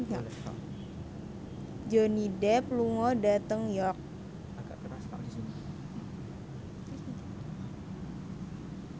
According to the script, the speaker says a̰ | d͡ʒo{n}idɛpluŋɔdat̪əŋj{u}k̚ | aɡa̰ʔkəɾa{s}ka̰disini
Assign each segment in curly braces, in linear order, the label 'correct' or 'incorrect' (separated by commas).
correct, incorrect, correct